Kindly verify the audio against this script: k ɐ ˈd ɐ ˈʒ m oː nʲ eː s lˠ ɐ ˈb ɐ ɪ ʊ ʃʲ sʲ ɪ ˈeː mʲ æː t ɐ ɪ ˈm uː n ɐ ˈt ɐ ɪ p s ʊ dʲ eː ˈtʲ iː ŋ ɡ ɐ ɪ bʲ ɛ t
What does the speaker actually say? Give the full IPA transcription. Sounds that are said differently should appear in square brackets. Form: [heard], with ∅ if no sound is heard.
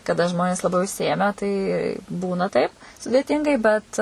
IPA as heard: k ɐ ˈd ɐ ˈʒ m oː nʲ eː s lˠ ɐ ˈb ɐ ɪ ʊ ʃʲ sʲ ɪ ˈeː mʲ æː t ɐ ɪ [ˈb] uː n ɐ ˈt ɐ ɪ p s ʊ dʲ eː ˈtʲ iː ŋ ɡ ɐ ɪ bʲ ɛ t